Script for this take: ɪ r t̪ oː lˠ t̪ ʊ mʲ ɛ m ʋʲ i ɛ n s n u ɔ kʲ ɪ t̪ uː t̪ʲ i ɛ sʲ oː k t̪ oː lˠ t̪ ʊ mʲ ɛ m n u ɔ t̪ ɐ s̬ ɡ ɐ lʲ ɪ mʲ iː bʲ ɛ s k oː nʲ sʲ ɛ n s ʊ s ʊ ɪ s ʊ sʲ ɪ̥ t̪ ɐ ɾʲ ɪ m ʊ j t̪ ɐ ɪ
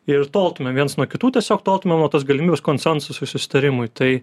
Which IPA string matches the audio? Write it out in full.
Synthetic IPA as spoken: ɪ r t̪ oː lˠ t̪ ʊ mʲ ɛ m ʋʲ i ɛ n s n u ɔ kʲ ɪ t̪ uː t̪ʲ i ɛ sʲ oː k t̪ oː lˠ t̪ ʊ mʲ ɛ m n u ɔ t̪ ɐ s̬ ɡ ɐ lʲ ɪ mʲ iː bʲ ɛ s k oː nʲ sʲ ɛ n s ʊ s ʊ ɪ s ʊ sʲ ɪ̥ t̪ ɐ ɾʲ ɪ m ʊ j t̪ ɐ ɪ